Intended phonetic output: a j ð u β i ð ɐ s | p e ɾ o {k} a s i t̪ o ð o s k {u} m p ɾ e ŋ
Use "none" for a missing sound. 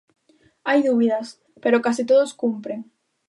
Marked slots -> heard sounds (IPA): k, u

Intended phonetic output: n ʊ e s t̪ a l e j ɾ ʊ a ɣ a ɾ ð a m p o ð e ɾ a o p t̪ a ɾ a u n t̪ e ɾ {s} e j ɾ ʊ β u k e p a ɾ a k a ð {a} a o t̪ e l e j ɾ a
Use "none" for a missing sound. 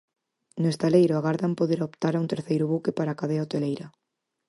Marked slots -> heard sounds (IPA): θ, e

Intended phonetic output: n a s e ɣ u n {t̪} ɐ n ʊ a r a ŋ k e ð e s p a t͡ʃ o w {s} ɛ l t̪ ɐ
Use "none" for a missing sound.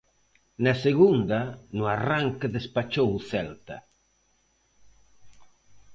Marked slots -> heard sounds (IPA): d̪, θ

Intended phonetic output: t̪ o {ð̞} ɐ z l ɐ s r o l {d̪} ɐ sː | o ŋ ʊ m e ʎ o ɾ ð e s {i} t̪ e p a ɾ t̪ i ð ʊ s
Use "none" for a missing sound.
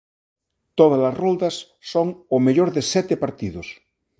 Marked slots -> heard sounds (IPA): ð̞, d̪, ɛ

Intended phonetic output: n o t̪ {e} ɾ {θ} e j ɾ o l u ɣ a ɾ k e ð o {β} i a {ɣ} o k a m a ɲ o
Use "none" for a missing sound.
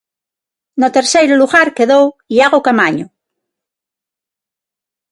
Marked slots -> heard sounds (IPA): e, s, w, ɣ

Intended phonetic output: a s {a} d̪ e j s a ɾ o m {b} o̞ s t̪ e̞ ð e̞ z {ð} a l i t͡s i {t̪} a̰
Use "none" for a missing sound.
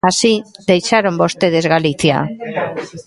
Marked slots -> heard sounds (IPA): i, b, ɣ, none

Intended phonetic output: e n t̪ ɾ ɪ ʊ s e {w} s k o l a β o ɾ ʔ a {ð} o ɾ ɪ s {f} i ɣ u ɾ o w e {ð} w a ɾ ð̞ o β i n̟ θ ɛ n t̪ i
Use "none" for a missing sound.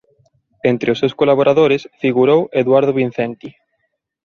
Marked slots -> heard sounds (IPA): w, ð, f, ð

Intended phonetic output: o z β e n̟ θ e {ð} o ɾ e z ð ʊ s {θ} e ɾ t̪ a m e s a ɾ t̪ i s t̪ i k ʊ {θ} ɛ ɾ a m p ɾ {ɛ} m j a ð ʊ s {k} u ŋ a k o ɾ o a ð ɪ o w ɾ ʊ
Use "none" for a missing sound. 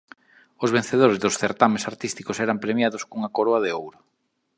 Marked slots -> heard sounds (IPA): ð, θ, s, e, k

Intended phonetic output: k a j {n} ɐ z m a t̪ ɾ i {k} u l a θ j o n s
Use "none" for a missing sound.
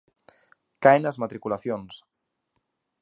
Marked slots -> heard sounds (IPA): n, k

